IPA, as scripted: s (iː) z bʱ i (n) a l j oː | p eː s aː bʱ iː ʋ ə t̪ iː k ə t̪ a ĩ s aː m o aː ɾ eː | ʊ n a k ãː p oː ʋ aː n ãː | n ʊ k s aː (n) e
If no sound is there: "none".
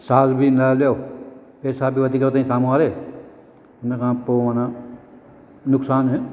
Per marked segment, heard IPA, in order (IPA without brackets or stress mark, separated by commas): aː, n, n